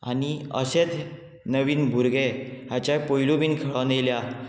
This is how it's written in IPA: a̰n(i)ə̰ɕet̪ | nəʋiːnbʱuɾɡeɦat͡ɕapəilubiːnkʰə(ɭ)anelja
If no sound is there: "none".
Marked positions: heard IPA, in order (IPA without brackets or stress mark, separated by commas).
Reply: i, ɭ